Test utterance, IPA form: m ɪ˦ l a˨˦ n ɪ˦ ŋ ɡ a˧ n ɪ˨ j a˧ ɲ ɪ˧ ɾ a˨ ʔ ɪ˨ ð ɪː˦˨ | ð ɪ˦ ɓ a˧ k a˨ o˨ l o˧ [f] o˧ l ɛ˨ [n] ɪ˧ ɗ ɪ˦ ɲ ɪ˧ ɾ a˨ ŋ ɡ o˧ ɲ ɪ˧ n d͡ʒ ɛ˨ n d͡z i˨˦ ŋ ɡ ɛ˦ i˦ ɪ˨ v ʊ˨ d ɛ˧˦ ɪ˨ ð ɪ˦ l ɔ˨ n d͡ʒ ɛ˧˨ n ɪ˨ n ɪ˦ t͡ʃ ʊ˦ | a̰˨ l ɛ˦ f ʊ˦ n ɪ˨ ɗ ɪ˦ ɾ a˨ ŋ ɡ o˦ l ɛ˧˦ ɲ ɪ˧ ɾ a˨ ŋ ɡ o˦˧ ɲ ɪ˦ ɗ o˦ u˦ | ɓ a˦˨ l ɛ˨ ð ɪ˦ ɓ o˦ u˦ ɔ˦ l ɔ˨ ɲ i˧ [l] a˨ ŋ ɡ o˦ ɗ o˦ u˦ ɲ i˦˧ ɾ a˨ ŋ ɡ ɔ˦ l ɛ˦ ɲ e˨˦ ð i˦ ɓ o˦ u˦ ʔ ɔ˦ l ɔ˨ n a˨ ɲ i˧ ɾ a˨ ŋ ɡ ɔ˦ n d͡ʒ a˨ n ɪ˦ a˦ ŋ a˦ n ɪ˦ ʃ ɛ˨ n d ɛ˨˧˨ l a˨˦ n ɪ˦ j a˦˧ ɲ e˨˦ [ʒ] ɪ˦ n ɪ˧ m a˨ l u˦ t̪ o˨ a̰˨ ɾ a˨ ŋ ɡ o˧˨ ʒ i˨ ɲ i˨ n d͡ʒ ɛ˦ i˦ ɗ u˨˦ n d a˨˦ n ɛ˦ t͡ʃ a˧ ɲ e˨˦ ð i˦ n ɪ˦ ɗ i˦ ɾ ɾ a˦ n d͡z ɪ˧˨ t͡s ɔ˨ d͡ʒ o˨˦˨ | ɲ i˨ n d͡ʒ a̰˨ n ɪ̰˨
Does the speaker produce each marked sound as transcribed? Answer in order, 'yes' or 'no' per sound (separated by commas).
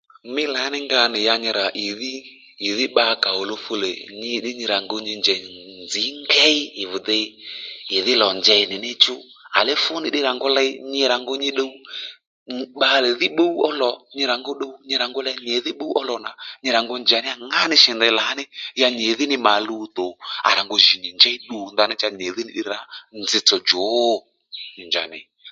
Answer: yes, no, no, no